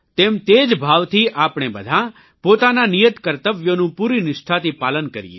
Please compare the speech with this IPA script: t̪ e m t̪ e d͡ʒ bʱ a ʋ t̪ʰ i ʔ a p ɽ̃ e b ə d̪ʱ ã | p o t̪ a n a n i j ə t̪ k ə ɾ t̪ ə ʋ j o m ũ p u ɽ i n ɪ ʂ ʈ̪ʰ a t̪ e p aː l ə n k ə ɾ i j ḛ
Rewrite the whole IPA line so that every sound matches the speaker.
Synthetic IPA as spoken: t̪ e m t̪ e d͡ʒ bʱ a ʋ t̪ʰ i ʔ a p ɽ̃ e b ə d̪ʱ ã | p o t̪ a n a n i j ə t̪ k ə ɾ t̪ ə ʋ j o n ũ p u ɾ i n ɪ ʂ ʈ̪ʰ a t̪ i p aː l ə n k ə ɾ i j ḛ